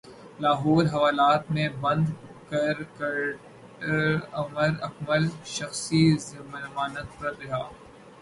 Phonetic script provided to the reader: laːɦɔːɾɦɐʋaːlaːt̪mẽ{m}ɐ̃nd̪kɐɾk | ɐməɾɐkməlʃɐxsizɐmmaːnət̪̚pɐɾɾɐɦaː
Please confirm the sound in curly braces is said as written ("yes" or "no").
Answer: no